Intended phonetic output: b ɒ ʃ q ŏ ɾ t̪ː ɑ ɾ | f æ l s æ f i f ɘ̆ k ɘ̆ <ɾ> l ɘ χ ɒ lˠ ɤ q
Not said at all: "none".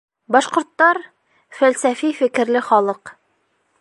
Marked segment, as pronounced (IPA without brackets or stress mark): ɾ